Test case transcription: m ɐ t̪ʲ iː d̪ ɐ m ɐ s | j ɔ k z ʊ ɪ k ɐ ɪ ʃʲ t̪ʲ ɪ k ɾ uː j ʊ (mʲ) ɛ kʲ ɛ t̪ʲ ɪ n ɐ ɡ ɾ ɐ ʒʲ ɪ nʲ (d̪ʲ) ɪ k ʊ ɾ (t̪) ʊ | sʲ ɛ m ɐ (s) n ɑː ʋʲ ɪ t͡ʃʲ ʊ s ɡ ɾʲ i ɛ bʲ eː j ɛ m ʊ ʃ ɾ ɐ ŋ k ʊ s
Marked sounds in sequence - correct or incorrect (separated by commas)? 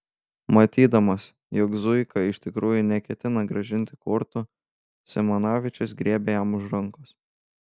incorrect, incorrect, correct, incorrect